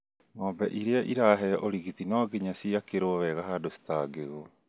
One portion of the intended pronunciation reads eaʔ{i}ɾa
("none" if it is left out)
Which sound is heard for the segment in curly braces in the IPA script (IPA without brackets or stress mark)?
i